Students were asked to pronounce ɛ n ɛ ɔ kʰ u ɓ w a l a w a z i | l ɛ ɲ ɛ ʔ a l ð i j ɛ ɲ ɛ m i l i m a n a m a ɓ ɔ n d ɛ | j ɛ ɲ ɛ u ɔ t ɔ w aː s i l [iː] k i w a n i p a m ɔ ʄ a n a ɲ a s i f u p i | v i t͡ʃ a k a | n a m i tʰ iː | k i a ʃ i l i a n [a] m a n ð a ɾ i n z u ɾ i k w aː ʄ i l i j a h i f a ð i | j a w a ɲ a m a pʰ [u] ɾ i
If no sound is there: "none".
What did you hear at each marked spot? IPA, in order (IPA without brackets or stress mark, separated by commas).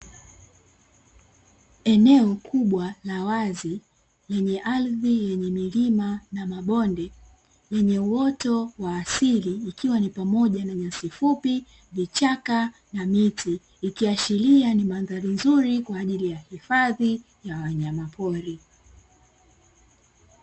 iː, i, ɔ